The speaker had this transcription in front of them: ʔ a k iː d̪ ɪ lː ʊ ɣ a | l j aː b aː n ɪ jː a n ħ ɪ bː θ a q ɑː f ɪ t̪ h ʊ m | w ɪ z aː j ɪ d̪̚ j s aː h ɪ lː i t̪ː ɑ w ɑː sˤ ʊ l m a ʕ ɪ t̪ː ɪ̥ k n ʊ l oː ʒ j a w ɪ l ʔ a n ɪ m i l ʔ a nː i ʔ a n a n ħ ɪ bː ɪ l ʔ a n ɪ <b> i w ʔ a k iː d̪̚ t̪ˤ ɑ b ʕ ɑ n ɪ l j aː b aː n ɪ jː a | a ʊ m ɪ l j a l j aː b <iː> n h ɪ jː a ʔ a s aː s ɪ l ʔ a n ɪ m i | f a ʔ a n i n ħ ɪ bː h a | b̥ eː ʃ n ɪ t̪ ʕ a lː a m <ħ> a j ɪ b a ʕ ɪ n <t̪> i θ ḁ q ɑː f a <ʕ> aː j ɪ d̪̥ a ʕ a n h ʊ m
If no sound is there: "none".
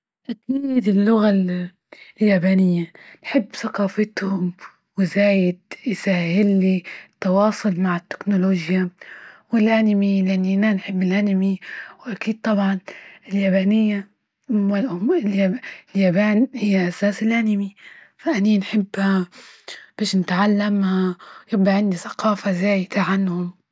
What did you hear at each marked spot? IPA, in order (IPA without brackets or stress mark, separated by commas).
m, aː, h, d̪, z